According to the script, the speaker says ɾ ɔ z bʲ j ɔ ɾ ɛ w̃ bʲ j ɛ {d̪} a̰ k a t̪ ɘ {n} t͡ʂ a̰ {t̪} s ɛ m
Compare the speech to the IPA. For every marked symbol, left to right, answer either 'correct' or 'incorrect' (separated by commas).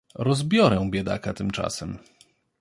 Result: correct, incorrect, incorrect